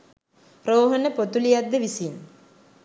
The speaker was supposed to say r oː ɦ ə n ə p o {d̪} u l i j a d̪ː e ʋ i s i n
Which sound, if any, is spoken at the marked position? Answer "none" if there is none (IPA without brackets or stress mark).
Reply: t̪